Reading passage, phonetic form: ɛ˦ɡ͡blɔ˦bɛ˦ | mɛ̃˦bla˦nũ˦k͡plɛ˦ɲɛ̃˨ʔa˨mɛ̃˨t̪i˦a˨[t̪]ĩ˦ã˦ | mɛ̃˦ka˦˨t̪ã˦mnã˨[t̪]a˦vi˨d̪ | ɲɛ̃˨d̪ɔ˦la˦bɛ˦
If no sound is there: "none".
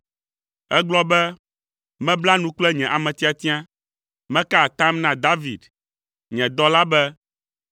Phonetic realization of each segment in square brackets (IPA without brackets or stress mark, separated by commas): t̪, d̪